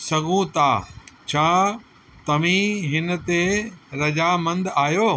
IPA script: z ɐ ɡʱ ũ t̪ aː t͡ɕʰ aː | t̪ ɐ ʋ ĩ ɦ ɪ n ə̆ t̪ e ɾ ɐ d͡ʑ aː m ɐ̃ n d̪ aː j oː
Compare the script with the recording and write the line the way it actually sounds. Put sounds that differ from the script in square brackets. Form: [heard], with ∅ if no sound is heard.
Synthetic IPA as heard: [s] ɐ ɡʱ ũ t̪ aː t͡ɕʰ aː | t̪ ɐ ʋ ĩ ɦ ɪ n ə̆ t̪ e ɾ ɐ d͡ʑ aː m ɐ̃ n d̪ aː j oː

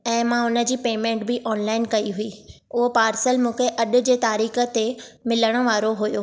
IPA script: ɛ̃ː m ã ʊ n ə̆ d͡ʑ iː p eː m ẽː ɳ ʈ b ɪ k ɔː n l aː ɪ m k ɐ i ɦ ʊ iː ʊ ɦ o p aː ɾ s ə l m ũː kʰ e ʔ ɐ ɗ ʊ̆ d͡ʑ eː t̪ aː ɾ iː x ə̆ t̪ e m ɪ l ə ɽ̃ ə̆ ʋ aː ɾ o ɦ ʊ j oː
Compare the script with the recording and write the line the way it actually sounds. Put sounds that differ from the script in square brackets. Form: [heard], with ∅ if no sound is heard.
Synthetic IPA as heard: ɛ̃ː m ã ʊ n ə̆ d͡ʑ iː p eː m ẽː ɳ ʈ b ɪ [ʔ] ɔː n l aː ɪ [n] k ɐ i ɦ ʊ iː ʊ ɦ o p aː ɾ s ə l m ũː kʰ e ʔ ɐ ɗ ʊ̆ d͡ʑ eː t̪ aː ɾ iː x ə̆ t̪ e m ɪ l ə ɽ̃ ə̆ ʋ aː ɾ o ɦ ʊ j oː

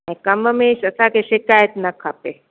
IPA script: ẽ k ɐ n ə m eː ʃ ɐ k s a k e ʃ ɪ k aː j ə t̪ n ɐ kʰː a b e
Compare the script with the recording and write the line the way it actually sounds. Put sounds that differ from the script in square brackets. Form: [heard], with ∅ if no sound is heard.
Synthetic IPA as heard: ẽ k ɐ [m] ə m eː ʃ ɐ [∅] s a k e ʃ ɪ k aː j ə t̪ n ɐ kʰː a [p] e

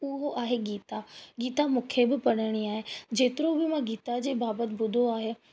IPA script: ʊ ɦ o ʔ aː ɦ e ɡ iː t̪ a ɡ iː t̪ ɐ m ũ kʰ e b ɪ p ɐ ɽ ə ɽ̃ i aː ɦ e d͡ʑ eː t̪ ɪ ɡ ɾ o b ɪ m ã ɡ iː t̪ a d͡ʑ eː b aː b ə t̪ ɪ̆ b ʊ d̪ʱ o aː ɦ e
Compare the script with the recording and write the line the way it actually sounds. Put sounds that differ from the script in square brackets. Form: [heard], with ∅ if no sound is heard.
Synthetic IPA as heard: ʊ ɦ o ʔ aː ɦ e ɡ iː t̪ a ɡ iː t̪ [a] m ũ kʰ e b ɪ p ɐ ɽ ə ɽ̃ i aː ɦ e d͡ʑ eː t̪ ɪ [∅] ɾ o b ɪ m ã ɡ iː t̪ a d͡ʑ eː b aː b ə t̪ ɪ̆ b ʊ d̪ʱ o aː ɦ e

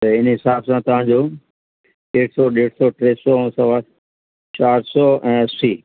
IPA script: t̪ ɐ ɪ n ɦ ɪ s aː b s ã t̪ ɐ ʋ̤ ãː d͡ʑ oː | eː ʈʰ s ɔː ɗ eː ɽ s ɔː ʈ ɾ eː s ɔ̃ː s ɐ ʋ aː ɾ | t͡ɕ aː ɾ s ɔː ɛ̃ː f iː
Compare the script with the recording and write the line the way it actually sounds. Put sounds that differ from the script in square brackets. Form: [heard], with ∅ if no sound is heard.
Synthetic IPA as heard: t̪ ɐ ɪ n ɦ ɪ s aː b s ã t̪ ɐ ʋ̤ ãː d͡ʑ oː | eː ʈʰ s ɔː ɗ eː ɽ s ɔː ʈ ɾ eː s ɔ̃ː s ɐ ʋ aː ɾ | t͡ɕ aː ɾ s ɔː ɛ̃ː [s] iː

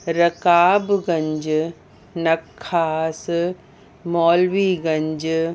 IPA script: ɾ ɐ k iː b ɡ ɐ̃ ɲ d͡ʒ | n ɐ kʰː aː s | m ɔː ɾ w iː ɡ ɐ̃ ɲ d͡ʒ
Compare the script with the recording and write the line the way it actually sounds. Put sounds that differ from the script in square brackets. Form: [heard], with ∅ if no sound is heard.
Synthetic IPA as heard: ɾ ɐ k [aː] b ɡ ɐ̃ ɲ d͡ʒ | n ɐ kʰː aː s | m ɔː [l] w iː ɡ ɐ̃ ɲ d͡ʒ

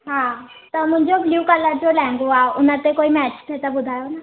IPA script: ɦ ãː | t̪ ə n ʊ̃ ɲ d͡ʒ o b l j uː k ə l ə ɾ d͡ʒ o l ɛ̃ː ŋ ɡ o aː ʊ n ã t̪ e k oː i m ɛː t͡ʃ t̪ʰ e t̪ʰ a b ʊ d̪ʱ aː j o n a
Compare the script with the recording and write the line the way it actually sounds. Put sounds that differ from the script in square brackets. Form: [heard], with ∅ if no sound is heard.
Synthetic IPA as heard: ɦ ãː | t̪ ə [m] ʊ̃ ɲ d͡ʒ o b l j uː k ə l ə ɾ d͡ʒ o l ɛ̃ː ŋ ɡ o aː ʊ n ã t̪ e k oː i m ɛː t͡ʃ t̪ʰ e [t̪] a b ʊ d̪ʱ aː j o n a

